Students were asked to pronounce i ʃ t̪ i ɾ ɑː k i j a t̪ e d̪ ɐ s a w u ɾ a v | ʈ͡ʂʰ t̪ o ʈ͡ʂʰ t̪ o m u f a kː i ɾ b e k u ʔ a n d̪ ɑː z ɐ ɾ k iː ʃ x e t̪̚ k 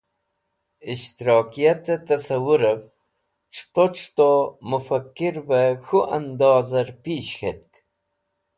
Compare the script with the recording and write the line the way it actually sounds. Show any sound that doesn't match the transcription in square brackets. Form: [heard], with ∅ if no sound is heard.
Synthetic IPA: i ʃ t̪ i ɾ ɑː k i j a t̪ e [t̪] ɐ s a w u ɾ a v | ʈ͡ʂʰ t̪ o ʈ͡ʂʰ t̪ o m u f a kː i ɾ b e [x] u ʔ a n d̪ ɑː z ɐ ɾ [p] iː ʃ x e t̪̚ k